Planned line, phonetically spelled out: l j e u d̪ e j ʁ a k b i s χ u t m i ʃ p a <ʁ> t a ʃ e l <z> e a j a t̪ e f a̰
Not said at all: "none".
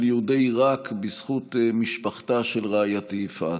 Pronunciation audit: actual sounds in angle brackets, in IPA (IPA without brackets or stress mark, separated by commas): χ, ʁ